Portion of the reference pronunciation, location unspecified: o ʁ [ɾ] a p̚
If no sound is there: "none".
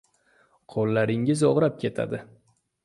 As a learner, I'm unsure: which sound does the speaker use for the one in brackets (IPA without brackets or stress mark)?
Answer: ɾ